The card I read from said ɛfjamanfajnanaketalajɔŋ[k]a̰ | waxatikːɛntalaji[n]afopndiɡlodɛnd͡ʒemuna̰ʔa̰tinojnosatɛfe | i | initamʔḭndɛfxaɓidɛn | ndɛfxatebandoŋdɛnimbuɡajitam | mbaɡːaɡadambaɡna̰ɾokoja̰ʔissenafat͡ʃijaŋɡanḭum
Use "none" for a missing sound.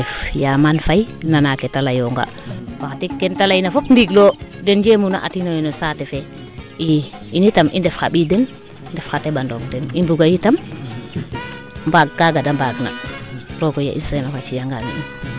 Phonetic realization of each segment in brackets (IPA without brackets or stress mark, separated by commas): ɡ, n